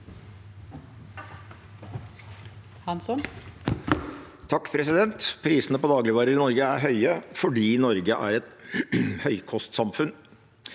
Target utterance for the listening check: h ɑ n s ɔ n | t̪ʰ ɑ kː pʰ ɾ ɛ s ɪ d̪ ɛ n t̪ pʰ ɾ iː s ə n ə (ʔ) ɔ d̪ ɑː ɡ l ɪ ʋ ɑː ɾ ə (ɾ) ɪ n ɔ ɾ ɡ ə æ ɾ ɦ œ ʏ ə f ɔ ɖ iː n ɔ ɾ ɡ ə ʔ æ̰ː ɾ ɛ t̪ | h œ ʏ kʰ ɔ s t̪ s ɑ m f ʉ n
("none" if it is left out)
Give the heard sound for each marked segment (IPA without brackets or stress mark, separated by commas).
p, ɾ